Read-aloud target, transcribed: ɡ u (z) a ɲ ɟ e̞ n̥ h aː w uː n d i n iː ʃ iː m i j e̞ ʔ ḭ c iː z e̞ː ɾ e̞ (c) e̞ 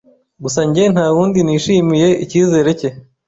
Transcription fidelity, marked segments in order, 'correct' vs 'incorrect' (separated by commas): incorrect, correct